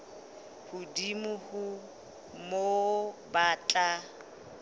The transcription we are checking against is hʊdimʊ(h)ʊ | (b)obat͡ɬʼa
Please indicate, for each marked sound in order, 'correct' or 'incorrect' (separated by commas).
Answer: correct, incorrect